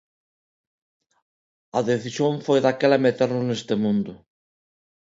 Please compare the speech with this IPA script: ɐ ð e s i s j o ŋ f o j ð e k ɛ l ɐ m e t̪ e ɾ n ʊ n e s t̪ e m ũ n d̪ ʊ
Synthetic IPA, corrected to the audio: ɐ ð e θ i s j o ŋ f o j ð a k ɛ l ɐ m e t̪ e ɾ n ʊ n e s t̪ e m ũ n d̪ ʊ